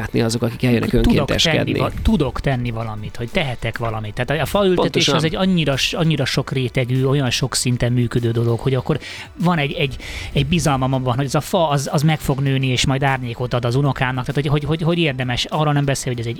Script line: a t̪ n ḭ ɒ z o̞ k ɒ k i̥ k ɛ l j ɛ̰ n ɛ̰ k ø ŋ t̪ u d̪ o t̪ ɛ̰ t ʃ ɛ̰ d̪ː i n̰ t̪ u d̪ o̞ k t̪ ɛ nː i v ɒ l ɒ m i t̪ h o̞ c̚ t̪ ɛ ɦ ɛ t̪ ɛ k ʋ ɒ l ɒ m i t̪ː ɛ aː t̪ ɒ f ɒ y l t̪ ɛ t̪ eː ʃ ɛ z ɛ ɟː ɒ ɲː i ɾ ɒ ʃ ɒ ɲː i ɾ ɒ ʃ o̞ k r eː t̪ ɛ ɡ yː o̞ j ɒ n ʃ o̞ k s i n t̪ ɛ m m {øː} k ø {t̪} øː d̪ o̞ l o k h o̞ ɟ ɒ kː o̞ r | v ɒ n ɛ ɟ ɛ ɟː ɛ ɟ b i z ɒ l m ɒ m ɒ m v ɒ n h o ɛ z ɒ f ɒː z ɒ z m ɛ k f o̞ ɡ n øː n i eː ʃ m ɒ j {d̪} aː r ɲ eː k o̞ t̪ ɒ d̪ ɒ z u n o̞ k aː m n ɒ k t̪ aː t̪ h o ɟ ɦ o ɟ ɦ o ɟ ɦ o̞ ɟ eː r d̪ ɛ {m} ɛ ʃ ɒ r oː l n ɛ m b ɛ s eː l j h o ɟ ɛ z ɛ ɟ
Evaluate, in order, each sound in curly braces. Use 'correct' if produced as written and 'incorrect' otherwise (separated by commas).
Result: incorrect, incorrect, correct, correct